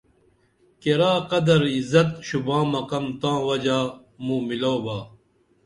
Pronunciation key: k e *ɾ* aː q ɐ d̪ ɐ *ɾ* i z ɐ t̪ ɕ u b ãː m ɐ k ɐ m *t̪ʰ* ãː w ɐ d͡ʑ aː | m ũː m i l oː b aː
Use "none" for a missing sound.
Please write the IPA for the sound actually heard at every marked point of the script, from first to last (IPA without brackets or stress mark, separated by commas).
ɾ, ɾ, t̪